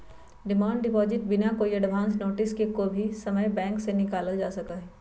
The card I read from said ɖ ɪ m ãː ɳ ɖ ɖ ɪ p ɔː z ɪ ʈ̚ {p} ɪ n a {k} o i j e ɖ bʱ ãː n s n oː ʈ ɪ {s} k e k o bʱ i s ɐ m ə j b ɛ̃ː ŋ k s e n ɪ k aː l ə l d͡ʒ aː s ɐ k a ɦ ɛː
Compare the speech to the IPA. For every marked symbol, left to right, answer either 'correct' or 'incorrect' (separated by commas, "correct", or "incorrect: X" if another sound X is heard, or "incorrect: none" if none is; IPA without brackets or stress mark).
incorrect: b, correct, correct